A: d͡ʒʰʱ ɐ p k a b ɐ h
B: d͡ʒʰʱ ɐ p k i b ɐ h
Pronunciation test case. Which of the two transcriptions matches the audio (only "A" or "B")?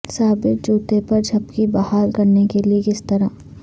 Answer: B